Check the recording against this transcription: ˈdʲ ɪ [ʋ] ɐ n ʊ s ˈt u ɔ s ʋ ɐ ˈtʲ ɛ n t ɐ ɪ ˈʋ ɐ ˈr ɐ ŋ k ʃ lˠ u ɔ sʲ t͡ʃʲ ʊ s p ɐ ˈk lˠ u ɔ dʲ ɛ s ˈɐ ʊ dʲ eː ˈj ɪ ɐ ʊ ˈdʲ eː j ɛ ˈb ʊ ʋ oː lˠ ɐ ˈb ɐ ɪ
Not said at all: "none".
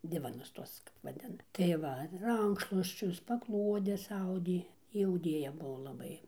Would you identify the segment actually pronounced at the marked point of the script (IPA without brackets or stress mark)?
ʋ